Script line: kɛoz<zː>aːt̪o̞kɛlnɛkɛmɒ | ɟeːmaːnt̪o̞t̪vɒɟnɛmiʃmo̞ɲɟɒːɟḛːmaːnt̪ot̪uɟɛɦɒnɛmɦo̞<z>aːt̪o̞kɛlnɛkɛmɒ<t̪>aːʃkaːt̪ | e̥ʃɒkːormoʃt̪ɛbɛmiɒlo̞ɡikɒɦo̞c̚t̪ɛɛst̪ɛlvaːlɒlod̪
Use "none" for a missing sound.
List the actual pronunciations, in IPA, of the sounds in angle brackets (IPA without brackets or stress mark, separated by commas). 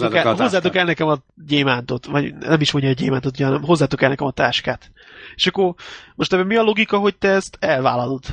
zː, zː, t̪